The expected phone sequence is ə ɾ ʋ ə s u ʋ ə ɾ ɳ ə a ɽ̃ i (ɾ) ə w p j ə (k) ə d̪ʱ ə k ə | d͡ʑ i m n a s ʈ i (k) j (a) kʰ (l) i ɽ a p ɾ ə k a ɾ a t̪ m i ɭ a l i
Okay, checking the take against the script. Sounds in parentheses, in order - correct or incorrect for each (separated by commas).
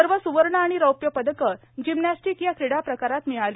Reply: correct, incorrect, correct, correct, incorrect